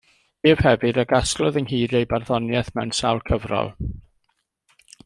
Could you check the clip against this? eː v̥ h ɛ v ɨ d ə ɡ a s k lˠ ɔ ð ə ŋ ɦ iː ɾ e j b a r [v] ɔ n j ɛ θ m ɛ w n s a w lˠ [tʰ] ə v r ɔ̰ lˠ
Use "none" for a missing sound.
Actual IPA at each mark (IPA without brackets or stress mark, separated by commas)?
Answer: ð, kʰ